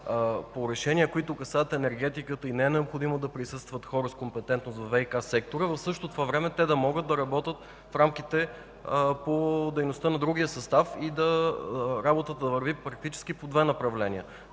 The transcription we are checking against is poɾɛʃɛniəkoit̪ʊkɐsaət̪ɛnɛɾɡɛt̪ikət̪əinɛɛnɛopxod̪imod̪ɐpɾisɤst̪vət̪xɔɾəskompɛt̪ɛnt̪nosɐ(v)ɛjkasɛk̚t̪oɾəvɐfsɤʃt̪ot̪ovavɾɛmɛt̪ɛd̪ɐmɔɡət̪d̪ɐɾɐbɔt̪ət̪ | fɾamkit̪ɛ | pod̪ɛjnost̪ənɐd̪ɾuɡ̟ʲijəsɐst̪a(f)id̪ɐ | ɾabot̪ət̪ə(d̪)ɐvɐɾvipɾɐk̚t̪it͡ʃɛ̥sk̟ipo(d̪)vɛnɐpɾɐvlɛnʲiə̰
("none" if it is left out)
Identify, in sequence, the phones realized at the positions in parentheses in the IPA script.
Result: v, f, d̪, d̪

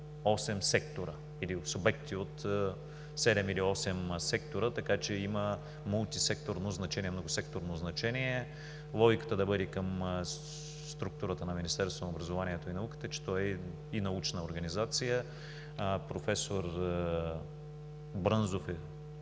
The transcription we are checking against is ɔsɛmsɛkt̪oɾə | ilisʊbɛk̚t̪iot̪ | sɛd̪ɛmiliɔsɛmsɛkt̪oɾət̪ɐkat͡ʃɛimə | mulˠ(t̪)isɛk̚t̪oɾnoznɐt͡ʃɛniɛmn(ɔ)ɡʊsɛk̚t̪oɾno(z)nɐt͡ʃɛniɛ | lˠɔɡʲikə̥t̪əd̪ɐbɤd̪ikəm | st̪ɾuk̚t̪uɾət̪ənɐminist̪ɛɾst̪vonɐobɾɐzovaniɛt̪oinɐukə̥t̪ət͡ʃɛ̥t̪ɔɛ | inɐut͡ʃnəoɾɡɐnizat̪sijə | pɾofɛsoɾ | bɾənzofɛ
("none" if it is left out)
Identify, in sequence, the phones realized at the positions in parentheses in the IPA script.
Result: t̪, o, z

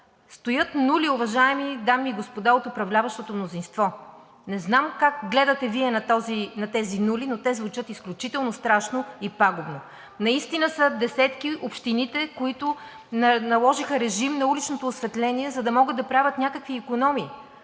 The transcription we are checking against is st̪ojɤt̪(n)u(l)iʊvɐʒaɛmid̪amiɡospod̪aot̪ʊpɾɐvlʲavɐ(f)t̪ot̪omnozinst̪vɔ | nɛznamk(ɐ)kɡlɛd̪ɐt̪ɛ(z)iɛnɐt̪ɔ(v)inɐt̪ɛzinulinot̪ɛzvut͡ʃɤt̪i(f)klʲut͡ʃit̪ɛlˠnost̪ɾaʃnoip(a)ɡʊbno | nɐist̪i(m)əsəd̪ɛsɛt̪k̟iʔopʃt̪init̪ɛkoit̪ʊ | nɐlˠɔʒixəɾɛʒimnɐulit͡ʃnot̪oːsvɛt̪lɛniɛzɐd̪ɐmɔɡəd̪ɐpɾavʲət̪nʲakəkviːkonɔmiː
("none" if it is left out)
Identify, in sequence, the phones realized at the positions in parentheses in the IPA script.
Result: n, l, ʃ, a, v, z, s, a, n

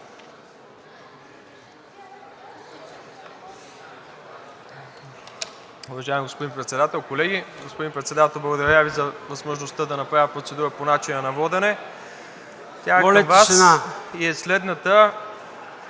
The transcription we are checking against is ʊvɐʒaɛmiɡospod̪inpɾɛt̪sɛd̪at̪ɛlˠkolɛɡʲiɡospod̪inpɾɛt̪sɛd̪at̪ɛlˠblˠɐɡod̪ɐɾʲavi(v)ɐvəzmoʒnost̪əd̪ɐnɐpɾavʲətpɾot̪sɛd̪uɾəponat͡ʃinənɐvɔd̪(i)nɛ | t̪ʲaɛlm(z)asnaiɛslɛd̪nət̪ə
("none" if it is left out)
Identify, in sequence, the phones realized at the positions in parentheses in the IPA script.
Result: z, ɛ, v

